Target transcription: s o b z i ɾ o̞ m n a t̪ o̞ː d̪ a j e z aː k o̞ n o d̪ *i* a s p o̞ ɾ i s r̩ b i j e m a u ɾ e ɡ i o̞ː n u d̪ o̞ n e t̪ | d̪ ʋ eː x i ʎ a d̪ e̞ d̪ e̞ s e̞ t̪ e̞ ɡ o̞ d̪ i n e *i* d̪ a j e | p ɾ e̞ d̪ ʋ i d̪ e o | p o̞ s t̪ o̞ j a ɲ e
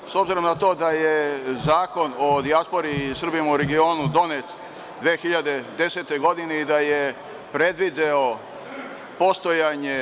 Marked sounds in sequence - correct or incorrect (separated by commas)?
correct, correct